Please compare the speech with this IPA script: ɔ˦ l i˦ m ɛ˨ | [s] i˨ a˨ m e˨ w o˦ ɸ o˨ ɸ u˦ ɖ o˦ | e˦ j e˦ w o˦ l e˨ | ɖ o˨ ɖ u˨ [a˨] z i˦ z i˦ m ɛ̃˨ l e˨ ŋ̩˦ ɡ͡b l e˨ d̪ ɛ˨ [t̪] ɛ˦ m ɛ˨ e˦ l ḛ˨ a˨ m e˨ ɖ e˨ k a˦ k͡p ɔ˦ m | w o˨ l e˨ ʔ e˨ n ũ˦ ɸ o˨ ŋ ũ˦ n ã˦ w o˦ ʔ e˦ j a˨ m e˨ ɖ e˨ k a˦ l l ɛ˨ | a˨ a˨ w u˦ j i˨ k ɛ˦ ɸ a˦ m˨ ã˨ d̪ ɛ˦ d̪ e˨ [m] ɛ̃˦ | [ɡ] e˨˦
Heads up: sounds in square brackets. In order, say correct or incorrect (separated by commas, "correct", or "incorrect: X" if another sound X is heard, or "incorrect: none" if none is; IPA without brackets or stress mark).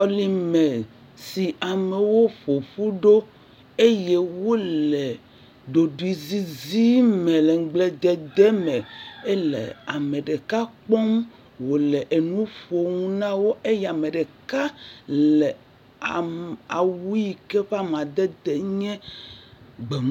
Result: correct, incorrect: i˨, incorrect: d̪, incorrect: ɲ, incorrect: ɡ͡b